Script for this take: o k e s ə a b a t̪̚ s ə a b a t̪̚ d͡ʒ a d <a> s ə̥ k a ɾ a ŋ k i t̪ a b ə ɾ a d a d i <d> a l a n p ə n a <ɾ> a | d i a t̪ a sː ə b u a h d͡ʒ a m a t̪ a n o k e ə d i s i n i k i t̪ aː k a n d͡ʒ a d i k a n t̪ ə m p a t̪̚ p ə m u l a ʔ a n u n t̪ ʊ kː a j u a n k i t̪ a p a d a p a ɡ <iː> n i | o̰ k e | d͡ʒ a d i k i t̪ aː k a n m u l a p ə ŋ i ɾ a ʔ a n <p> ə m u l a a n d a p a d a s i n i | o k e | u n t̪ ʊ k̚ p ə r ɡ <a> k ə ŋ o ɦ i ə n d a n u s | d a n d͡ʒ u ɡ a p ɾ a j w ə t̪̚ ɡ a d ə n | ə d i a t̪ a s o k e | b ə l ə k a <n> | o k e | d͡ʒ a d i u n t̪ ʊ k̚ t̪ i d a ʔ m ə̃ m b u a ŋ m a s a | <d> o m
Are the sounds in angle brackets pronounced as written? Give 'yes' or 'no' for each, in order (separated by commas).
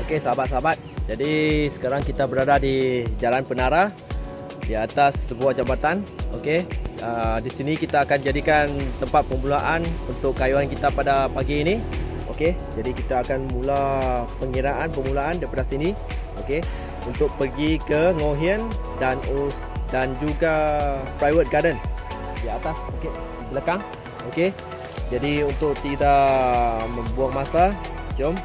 no, no, yes, yes, yes, no, no, no